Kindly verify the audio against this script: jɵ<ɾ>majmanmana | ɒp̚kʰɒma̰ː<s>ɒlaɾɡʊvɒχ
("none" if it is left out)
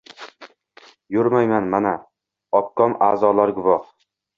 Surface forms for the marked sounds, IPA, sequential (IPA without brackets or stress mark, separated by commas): ɾ, z